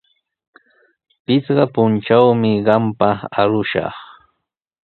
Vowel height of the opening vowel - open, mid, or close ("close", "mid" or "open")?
close